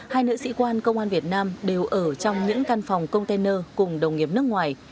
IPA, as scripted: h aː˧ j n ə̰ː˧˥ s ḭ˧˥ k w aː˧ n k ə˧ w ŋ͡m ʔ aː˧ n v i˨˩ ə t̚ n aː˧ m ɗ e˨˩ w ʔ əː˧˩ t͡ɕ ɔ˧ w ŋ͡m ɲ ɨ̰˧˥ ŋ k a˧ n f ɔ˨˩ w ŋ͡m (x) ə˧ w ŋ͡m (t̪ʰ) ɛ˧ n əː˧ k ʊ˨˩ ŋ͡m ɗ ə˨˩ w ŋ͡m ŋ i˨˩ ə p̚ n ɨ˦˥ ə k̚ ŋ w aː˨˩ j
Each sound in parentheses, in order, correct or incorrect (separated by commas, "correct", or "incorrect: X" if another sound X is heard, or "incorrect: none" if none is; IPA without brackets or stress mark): incorrect: k, incorrect: t̪